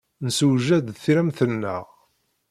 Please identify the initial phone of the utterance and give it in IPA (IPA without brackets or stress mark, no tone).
n